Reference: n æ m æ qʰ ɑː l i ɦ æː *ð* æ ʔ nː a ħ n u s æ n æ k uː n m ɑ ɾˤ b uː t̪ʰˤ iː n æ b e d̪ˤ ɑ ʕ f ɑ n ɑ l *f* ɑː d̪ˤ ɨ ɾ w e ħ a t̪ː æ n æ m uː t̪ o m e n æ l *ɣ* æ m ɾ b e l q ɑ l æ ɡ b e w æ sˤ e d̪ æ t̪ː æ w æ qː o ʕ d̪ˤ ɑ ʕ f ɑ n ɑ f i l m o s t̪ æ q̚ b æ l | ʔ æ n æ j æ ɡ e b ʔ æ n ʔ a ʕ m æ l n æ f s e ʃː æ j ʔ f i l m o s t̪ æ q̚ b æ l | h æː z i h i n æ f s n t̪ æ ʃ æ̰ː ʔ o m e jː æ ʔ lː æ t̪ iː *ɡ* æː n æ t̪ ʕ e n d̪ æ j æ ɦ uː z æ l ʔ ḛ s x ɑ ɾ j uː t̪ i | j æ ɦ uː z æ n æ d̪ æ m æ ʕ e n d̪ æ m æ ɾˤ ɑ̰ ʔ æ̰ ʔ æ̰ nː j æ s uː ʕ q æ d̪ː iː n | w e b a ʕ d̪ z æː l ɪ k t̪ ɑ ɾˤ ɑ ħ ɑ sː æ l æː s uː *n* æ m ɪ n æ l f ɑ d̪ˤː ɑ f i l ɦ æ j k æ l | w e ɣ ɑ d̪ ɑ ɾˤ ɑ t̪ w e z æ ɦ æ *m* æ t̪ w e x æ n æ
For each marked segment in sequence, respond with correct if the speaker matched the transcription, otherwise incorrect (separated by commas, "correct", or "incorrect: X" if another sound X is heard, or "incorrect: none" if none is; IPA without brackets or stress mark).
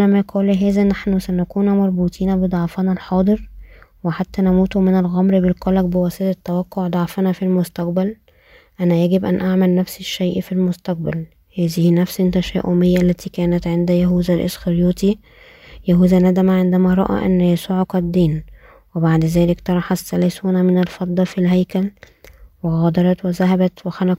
incorrect: z, incorrect: ħ, correct, incorrect: k, correct, incorrect: b